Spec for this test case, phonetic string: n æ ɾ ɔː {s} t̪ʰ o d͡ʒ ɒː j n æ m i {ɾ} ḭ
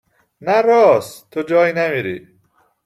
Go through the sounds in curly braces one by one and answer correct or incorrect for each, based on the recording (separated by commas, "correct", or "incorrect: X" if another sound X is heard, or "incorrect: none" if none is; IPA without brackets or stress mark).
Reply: correct, correct